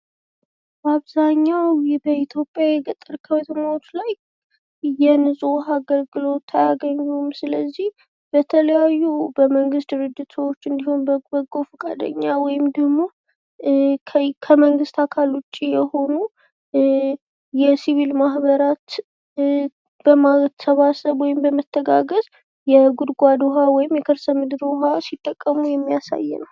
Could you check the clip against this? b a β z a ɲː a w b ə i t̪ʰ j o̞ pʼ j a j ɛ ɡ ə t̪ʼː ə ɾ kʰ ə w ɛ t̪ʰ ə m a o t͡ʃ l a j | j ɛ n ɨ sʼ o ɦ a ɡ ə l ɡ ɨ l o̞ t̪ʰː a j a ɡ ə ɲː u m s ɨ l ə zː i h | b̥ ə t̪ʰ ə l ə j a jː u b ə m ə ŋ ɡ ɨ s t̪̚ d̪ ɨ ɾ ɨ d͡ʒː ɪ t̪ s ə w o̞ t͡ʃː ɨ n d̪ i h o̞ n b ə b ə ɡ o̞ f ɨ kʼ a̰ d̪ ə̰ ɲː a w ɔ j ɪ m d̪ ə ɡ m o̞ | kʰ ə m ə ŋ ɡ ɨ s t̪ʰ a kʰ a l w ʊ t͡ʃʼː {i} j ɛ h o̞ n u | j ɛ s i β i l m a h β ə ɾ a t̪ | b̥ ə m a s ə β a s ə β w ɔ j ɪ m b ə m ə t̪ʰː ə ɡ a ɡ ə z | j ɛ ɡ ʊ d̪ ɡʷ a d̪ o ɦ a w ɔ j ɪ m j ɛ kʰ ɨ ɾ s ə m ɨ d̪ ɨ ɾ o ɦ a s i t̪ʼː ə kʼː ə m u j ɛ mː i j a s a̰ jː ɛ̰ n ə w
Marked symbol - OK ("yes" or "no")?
yes